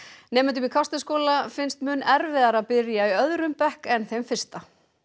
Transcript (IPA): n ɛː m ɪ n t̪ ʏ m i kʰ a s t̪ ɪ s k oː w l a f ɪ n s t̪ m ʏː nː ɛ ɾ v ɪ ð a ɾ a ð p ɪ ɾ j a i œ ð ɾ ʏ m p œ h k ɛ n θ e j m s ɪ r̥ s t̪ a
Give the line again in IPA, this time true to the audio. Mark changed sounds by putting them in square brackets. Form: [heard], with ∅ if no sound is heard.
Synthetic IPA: n ɛː m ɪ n t̪ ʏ m i kʰ a s t̪ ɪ s k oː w l a f ɪ n s t̪ m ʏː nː ɛ ɾ v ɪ ð a ɾ a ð p ɪ ɾ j a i œ ð ɾ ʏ m p [ɛ] h k ɛ n θ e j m [f] ɪ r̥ s t̪ a

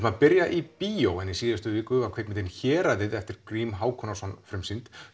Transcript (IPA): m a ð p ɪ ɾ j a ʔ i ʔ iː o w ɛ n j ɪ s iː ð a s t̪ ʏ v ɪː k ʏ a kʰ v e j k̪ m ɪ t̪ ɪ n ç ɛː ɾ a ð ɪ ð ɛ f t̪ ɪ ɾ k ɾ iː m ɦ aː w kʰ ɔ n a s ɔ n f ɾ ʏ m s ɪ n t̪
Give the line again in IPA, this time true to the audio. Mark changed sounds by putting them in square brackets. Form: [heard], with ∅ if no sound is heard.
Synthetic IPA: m a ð p ɪ ɾ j a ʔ i [p] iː o w ɛ n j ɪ s iː ð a s t̪ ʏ v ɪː k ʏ a kʰ v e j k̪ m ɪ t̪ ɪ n ç ɛː ɾ a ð ɪ ð ɛ f t̪ ɪ ɾ k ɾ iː m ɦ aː w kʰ ɔ n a s ɔ n f ɾ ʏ m s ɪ n t̪

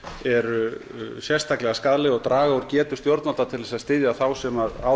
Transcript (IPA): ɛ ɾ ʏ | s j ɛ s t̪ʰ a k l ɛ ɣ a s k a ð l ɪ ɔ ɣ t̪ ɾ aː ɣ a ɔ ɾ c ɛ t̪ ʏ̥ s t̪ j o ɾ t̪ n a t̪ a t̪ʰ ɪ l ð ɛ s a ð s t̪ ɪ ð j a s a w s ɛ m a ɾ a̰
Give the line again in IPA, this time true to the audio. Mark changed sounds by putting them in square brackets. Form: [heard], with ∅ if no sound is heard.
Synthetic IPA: ɛ ɾ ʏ | s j ɛ s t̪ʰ a k l ɛ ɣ a s k a ð l ɪ ɔ ɣ t̪ ɾ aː ɣ a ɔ ɾ c [ɛː] t̪ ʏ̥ s t̪ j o ɾ t̪ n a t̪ a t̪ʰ ɪ l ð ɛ s a ð s t̪ ɪ ð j a [θ] a w s ɛ m a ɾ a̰

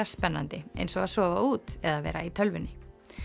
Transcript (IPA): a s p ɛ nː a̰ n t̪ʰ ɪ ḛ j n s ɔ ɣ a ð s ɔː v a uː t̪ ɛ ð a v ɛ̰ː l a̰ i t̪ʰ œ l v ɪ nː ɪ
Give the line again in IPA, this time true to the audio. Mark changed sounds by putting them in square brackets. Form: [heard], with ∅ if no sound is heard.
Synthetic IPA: a s p ɛ nː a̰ n [t̪] ɪ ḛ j n s ɔ ɣ a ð s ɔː v a uː t̪ ɛ ð a v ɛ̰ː [ɾ] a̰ i t̪ʰ œ l v ɪ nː ɪ

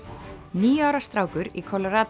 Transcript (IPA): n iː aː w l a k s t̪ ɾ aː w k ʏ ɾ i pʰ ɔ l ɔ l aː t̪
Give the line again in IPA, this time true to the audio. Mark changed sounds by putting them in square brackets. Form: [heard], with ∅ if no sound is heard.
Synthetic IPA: n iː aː w [ɾ] a [∅] s t̪ ɾ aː w k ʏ ɾ i [kʰ] ɔ l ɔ [ɾ] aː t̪

